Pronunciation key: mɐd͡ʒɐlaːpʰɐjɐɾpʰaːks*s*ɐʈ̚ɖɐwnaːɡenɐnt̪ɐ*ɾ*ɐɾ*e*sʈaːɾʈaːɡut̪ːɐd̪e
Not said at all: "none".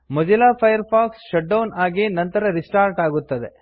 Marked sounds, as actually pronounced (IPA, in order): ʃ, ɾ, i

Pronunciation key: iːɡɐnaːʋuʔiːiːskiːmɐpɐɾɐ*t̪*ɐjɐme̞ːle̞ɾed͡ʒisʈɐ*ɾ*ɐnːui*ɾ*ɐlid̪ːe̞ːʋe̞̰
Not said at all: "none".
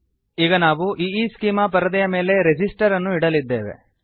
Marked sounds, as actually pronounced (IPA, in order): d̪, ɾ, ɽ

